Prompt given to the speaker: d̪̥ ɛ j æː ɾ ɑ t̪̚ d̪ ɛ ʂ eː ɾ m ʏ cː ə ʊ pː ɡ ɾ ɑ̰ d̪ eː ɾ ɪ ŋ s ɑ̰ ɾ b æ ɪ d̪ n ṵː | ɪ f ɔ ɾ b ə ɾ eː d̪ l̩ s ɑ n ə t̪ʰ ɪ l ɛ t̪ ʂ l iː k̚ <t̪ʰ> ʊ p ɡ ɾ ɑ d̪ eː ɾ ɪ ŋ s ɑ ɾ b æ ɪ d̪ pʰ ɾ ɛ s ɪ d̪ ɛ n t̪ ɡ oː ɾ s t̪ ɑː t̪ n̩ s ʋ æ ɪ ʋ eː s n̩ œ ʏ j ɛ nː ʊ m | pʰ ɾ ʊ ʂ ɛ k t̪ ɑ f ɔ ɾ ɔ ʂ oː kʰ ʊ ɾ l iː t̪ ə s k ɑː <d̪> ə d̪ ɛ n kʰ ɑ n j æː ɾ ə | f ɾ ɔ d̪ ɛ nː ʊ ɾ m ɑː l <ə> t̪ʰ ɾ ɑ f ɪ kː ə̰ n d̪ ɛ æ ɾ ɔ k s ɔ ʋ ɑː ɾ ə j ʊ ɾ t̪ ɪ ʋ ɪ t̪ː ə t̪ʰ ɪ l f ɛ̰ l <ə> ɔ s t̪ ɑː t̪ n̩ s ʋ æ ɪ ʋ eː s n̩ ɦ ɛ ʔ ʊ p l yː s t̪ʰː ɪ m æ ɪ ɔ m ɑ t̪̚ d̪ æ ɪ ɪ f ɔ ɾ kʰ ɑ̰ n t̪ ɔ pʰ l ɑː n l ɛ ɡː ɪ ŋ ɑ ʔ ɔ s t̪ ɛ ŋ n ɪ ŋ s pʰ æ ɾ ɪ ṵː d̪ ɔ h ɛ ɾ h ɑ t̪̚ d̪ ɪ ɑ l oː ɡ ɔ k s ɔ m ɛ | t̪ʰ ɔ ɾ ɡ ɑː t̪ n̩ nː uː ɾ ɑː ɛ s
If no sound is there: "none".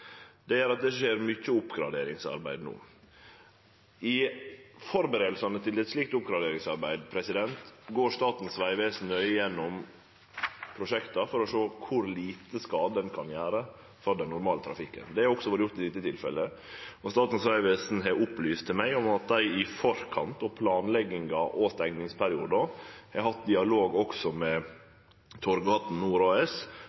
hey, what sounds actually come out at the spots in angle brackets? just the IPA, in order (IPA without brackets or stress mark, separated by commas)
t̪, d̪, ə, ə